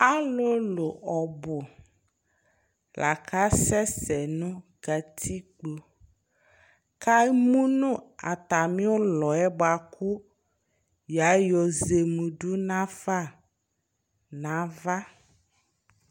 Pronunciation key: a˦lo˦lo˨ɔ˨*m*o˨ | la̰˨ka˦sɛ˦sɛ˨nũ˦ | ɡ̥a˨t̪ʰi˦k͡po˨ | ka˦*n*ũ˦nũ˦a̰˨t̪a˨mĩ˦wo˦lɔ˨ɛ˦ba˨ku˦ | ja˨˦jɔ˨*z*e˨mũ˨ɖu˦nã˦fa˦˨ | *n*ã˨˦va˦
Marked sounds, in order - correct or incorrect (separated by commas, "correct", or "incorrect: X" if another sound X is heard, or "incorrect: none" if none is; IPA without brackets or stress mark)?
incorrect: b, incorrect: m, correct, correct